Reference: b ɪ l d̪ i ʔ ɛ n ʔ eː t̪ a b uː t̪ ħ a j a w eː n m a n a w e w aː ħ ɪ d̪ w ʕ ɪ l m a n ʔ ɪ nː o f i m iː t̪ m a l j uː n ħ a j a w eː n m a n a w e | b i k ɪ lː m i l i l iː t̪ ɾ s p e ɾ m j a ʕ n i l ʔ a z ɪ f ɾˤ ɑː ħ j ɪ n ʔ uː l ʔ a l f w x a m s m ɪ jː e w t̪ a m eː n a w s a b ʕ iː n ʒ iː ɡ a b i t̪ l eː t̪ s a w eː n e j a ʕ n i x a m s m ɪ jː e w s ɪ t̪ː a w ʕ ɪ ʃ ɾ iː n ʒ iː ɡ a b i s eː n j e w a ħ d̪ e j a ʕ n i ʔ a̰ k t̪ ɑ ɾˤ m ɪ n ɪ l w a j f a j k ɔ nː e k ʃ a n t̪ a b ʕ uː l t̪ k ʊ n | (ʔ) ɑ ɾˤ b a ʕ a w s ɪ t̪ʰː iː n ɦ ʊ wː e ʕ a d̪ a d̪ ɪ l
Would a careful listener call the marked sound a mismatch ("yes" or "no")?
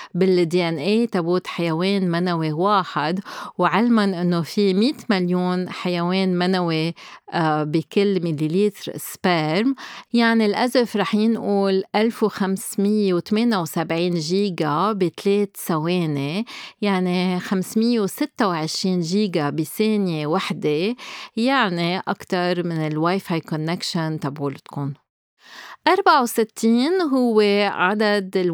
no